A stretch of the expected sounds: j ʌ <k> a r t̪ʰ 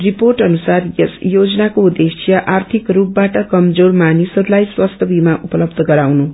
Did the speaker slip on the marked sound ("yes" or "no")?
yes